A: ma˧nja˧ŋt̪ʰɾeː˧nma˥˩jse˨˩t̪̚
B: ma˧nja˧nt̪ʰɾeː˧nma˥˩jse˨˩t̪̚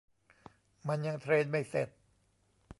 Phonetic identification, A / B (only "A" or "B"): A